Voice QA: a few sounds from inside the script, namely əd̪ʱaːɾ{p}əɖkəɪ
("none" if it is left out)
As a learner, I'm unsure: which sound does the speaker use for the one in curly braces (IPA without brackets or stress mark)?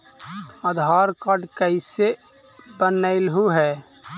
k